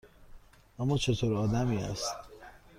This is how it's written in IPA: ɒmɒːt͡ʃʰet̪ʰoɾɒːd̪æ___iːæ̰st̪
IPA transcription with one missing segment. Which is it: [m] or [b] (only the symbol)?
m